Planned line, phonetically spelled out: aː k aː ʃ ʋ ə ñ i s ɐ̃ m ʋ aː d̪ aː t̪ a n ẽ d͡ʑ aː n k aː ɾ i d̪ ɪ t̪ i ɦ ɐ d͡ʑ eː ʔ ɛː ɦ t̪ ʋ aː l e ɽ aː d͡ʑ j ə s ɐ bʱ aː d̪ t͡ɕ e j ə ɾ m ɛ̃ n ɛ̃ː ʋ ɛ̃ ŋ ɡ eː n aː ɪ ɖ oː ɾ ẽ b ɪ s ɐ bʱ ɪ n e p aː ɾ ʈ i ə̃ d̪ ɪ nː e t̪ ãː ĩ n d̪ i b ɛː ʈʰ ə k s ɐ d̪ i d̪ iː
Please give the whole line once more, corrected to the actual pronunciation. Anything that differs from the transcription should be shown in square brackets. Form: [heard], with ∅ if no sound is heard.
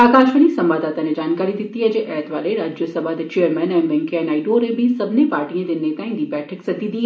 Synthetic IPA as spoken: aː k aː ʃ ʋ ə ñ i s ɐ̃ m ʋ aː d̪ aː t̪ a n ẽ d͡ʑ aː n k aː ɾ i d̪ ɪ t̪ i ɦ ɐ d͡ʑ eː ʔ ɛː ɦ t̪ ʋ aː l e [ɾ] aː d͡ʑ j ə s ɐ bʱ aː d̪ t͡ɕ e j ə ɾ m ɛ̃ n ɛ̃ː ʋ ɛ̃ ŋ [k] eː n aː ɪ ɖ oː ɾ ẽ b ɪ s ɐ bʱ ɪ n e p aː ɾ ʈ i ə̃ d̪ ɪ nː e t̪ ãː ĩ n d̪ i b ɛː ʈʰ ə k s ɐ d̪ i d̪ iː